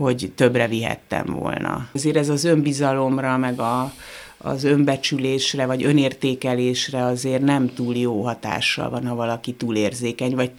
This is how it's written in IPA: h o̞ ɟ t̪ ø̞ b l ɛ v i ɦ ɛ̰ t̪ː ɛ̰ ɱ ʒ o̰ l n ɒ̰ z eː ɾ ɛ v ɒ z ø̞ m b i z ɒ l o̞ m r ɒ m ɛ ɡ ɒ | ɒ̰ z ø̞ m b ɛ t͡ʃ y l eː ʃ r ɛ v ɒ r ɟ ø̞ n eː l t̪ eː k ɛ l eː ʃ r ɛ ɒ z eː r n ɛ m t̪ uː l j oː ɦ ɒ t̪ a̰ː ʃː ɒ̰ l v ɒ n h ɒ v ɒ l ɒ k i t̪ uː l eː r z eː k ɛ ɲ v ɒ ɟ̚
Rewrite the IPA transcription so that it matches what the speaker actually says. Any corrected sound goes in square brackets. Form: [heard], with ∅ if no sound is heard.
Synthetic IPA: h o̞ ɟ t̪ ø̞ b [r] ɛ v i ɦ ɛ̰ t̪ː ɛ̰ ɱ [v] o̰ l n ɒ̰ z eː ɾ ɛ [z] ɒ z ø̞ m b i z ɒ l o̞ m r ɒ m ɛ ɡ ɒ | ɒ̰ z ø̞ m b ɛ t͡ʃ y l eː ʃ r ɛ v ɒ [∅] ɟ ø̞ n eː [r] t̪ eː k ɛ l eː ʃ r ɛ ɒ z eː r n ɛ m t̪ uː l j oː ɦ ɒ t̪ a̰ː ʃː ɒ̰ l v ɒ n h ɒ v ɒ l ɒ k i t̪ uː l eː r z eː k ɛ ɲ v ɒ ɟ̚